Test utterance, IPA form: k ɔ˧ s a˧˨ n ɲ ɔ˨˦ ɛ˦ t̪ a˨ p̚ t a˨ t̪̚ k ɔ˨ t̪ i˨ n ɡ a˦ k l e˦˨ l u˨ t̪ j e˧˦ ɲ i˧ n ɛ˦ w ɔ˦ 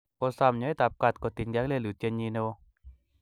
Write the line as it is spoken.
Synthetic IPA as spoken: k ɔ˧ s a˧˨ m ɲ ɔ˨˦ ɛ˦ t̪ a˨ p̚ k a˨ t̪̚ k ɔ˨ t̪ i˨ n ɡ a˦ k l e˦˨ l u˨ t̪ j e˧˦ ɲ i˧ n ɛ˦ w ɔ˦